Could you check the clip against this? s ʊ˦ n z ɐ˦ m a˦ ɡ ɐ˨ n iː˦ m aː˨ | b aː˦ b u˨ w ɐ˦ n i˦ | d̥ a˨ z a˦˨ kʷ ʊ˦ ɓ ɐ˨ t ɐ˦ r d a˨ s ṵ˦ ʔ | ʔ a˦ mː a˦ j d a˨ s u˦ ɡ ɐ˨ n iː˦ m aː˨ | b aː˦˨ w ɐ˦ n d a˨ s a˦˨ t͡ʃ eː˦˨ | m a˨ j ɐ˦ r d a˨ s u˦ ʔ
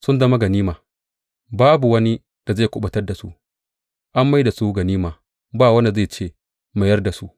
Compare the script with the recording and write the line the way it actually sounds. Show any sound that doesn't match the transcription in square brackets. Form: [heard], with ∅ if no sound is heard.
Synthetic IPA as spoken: s ʊ˦ n z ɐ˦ m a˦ ɡ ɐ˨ n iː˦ m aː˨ | b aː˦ b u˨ w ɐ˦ n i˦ | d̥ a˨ z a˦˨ kʷ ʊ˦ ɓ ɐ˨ t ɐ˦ r d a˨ s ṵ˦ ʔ | ʔ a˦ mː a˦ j d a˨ s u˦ ɡ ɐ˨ n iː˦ m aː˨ | b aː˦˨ w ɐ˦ n d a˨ [z] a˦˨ t͡ʃ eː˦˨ | m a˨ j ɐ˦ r d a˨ s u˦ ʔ